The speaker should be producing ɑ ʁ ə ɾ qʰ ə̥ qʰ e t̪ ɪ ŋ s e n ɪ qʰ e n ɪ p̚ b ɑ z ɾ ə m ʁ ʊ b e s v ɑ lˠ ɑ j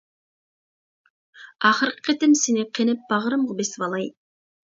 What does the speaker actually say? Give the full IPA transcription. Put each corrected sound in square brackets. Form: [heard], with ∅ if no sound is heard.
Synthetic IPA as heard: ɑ [χ] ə ɾ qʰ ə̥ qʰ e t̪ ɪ [m] s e n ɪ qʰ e n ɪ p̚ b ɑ [ʁ] ɾ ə m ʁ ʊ b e s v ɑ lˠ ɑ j